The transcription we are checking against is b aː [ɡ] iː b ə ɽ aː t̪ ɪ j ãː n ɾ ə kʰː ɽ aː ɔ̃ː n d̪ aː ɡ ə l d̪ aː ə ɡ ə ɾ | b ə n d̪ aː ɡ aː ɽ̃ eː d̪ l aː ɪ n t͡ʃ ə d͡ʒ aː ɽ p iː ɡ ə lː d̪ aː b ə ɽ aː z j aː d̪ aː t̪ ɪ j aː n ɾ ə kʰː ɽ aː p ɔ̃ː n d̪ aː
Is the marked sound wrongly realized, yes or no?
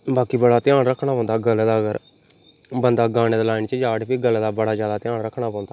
yes